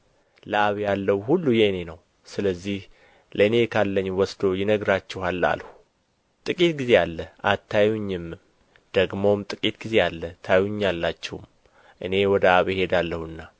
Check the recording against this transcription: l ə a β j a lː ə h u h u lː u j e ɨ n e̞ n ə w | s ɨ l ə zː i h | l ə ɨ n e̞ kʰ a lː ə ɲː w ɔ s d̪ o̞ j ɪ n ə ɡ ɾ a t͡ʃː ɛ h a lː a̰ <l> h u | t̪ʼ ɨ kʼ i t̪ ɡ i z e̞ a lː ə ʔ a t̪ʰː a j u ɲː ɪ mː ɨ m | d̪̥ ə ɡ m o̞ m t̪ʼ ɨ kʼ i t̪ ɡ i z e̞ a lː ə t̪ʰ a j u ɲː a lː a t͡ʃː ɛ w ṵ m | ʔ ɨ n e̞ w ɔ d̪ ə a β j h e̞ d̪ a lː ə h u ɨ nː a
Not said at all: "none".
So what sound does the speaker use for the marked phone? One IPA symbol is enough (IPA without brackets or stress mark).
l